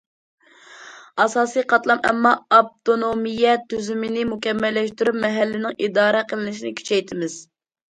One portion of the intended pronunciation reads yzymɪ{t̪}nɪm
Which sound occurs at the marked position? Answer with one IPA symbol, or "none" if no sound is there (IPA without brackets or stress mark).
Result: none